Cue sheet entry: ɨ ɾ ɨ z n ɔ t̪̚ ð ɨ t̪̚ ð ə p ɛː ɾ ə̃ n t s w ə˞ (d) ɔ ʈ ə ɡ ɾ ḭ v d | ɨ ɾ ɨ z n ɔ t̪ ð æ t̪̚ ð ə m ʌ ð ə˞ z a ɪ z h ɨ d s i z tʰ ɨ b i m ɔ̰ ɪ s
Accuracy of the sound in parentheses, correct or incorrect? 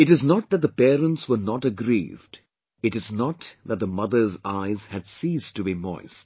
incorrect